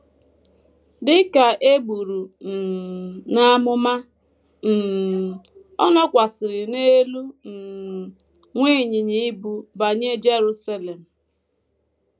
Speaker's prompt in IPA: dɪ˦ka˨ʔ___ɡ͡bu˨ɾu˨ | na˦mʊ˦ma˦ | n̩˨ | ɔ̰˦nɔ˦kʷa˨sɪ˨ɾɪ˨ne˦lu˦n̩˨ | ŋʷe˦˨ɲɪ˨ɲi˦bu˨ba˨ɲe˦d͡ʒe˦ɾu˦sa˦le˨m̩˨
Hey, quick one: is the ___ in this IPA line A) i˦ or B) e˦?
B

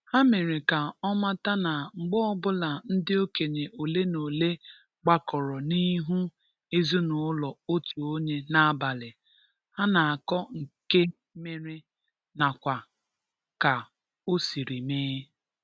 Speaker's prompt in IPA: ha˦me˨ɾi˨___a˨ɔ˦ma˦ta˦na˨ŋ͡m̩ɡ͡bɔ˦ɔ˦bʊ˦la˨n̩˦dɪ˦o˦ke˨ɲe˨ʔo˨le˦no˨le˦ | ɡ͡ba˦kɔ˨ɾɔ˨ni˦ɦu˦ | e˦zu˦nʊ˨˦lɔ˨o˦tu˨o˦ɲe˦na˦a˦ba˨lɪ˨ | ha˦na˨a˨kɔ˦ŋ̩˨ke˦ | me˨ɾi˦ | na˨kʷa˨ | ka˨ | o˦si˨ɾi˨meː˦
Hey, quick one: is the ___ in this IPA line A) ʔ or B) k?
B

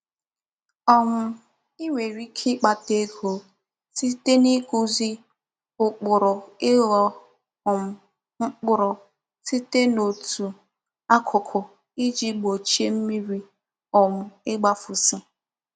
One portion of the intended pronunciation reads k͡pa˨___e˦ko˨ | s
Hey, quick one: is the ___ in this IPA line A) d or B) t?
B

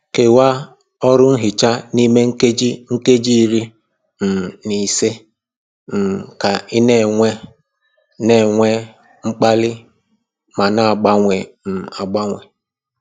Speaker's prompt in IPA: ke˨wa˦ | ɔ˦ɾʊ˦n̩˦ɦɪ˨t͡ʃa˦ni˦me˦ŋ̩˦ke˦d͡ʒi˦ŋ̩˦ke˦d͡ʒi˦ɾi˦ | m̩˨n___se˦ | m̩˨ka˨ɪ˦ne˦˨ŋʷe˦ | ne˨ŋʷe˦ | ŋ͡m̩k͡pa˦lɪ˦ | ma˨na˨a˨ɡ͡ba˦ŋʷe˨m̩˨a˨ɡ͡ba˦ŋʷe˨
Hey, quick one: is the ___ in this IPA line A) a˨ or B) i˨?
B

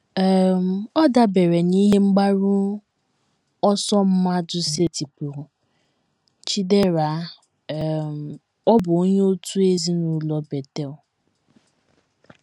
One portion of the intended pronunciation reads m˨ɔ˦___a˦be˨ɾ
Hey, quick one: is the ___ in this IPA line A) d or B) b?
A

